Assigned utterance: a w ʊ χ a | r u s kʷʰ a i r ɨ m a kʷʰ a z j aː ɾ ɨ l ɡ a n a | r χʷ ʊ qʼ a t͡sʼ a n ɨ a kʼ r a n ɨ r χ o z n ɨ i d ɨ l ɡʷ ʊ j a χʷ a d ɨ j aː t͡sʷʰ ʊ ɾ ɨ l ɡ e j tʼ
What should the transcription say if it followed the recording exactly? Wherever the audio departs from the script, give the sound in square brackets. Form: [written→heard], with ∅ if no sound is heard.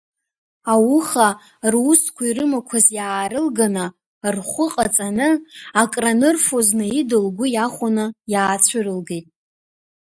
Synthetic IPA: a w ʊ χ a | r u s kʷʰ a i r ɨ m a kʷʰ a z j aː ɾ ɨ l ɡ a n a | r χʷ ʊ qʼ a t͡sʼ a n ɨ a kʼ r a n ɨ r [χ→f] o z n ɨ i d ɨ l ɡʷ ʊ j a χʷ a [d→n] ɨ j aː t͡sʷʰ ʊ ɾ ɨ l ɡ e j tʼ